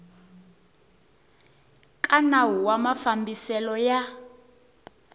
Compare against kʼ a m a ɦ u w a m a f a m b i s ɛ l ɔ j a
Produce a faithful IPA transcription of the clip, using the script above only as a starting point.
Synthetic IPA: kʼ a n a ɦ u w a m a f a m b i s ɛ l ɔ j a